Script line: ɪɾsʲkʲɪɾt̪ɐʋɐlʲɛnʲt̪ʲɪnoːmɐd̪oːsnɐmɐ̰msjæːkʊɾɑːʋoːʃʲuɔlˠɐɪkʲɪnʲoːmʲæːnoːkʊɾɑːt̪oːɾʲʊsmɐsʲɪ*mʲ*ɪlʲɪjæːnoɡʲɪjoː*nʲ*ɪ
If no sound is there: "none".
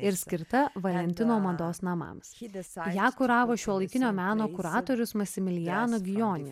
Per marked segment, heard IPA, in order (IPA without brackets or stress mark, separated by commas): mʲ, nʲ